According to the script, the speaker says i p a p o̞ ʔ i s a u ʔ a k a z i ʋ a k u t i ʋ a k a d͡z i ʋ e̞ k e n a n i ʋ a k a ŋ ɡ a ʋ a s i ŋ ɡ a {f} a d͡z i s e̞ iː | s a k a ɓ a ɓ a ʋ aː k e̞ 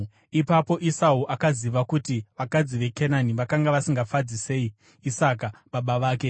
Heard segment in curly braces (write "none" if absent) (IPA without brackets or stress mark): f